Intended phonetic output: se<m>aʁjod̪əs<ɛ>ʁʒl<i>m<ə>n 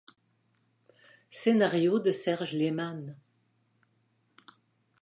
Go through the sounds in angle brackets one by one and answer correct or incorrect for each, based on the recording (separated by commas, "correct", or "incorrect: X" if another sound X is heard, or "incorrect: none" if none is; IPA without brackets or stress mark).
incorrect: n, correct, incorrect: e, incorrect: a